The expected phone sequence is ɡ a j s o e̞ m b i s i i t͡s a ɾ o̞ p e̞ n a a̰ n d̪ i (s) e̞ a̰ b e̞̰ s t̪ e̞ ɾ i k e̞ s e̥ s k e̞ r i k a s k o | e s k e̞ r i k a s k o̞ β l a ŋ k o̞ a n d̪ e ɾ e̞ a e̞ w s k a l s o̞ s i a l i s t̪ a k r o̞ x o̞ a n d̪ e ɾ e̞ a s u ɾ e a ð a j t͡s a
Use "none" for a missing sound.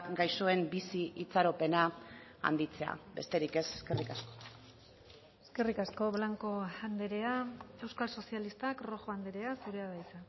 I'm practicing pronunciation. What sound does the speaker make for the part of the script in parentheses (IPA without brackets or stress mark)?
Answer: t͡s